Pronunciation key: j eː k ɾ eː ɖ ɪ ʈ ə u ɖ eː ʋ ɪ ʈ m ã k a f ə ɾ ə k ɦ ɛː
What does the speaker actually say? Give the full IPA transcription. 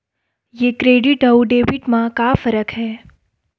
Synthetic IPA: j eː k ɾ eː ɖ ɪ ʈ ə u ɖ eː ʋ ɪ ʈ m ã k a f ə ɾ ə k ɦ ɛː